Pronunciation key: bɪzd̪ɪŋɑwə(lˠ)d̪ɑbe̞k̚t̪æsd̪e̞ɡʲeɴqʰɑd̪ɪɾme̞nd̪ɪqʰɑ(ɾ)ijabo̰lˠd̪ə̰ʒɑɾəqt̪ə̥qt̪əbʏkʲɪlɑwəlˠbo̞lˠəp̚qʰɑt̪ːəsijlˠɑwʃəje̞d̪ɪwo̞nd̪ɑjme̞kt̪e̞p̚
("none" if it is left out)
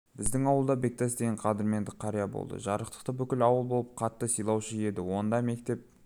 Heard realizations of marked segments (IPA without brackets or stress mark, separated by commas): lˠ, ɾ